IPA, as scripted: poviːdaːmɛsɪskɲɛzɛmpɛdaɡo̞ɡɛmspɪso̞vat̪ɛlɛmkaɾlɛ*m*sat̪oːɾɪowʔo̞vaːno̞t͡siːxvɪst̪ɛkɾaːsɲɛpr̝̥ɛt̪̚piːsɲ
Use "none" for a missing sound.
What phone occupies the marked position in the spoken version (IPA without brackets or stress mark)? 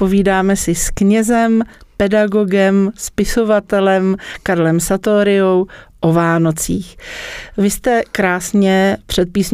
m